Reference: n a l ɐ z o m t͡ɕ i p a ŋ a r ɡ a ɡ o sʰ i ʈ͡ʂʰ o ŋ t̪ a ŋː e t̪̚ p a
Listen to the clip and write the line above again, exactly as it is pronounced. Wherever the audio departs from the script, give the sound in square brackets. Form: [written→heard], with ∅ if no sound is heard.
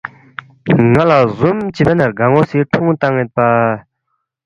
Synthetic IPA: [n→ŋ] a l [ɐ→a] z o m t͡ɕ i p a [ŋ→n] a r ɡ a [ɡ→ŋ] o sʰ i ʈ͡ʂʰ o ŋ t̪ a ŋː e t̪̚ p a